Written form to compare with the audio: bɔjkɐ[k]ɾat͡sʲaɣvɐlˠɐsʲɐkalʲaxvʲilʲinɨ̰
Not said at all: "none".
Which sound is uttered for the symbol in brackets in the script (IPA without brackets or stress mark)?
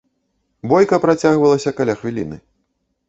p